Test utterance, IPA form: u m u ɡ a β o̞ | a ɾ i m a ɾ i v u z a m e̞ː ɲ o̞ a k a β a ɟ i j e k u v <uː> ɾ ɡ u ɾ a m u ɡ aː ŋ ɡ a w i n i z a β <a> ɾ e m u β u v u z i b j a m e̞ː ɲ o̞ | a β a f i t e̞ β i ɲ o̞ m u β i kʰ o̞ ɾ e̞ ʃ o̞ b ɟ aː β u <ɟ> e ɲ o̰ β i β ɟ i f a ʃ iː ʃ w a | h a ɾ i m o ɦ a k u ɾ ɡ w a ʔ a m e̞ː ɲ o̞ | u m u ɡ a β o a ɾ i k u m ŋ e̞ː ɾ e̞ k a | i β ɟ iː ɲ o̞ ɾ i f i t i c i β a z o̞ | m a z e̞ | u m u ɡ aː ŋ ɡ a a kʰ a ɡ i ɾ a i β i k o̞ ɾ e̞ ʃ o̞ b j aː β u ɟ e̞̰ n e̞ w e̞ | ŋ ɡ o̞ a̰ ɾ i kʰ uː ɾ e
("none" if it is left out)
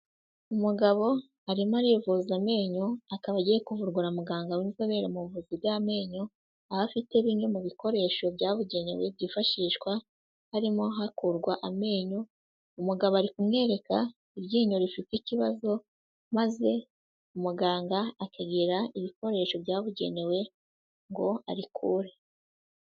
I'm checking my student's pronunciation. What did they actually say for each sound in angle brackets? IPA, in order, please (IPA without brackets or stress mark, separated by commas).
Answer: u, e, ɟ